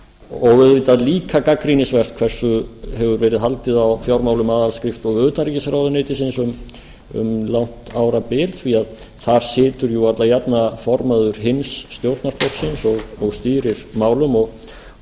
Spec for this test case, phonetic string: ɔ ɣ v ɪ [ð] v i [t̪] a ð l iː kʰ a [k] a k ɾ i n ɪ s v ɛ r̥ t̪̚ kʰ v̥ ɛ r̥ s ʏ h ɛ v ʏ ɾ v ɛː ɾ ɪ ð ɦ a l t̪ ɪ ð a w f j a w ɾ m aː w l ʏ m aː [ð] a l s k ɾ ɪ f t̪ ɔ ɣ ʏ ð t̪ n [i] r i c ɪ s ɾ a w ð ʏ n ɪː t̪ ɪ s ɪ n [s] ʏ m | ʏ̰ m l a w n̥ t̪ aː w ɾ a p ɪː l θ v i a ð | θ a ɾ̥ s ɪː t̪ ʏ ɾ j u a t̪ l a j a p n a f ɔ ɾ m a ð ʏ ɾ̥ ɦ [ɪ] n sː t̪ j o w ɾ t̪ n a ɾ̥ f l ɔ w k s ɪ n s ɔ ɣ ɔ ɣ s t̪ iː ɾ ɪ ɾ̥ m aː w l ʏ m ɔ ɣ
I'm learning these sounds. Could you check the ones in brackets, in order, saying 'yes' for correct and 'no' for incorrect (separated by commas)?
yes, yes, yes, yes, no, yes, yes